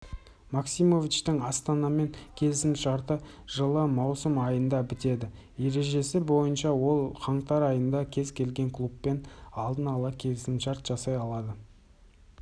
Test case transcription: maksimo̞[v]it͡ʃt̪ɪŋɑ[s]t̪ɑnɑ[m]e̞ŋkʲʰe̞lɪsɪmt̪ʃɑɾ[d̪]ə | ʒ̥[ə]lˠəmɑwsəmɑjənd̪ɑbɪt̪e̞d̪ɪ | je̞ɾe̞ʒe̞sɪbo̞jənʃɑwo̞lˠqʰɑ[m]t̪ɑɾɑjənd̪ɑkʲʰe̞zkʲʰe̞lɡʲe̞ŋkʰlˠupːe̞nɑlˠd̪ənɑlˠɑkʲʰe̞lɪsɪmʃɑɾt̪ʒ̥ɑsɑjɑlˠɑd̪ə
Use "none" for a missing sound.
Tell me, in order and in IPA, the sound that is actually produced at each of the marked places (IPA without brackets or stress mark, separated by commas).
v, s, m, t̪, ə, ɴ